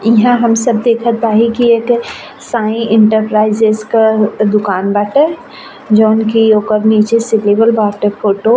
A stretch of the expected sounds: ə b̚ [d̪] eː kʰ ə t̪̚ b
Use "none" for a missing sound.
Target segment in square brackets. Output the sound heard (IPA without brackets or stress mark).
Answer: d̪